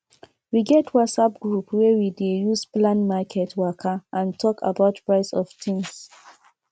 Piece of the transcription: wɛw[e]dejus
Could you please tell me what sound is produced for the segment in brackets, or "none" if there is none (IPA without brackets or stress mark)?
i